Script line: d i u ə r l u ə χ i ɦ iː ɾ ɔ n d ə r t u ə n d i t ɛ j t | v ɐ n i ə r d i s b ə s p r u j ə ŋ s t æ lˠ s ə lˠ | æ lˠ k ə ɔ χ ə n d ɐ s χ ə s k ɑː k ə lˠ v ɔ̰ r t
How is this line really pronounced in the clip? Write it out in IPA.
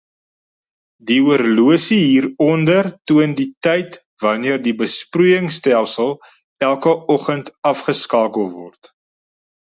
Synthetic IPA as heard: d i u ə r l u ə s i ɦ iː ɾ ɔ n d ə r t u ə n d i t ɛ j t | v ɐ n i ə r d i b ə s p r u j ə ŋ s t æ lˠ s ə lˠ | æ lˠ k ə ɔ χ ə n t ɐ f χ ə s k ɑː k ə lˠ v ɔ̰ r t